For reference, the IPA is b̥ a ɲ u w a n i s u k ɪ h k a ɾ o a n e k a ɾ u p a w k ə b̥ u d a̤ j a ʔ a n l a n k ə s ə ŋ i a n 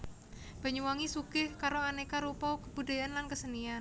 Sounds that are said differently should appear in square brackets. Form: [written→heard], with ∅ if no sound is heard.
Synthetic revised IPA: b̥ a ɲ u w a [n→ŋ] i s u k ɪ h k a ɾ o a n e k a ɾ u p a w k ə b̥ u d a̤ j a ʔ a n l a n k ə s ə [ŋ→n] i a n